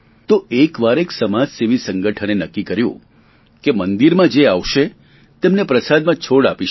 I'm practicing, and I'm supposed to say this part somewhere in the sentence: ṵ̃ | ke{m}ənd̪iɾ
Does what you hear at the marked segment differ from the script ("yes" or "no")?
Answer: no